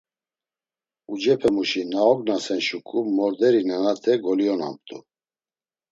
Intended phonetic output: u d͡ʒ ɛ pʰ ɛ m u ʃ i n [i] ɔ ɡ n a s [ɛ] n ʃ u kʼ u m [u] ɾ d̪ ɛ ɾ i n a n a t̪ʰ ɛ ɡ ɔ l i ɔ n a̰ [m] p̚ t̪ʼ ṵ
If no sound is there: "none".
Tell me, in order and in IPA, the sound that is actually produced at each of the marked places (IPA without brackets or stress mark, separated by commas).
a, ɛ, ɔ, m